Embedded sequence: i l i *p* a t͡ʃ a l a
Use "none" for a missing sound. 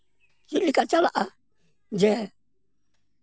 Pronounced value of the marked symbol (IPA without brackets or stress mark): k